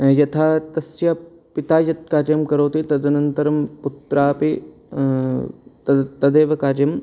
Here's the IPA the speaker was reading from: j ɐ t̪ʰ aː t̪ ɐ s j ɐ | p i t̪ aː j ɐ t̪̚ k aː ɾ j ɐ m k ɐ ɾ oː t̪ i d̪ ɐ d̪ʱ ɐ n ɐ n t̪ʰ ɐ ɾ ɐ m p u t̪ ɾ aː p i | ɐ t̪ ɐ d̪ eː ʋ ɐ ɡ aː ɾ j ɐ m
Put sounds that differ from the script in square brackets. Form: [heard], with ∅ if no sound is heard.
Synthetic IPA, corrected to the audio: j ɐ t̪ʰ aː t̪ ɐ s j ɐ | p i t̪ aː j ɐ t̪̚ k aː ɾ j ɐ m k ɐ ɾ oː t̪ i [t̪] ɐ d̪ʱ ɐ n ɐ n [t̪] ɐ ɾ ɐ m p u t̪ ɾ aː p i | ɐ t̪ ɐ d̪ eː ʋ ɐ [k] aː ɾ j ɐ m